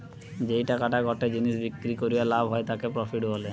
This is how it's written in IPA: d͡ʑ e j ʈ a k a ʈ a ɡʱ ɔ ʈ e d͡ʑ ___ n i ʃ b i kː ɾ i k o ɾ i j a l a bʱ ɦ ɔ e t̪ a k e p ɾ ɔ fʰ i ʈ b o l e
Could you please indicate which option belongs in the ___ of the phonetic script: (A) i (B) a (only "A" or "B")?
A